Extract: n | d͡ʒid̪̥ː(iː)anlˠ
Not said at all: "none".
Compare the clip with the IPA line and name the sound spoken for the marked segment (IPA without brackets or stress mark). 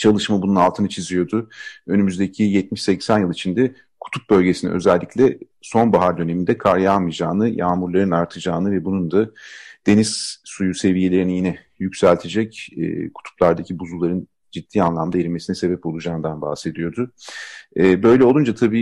iː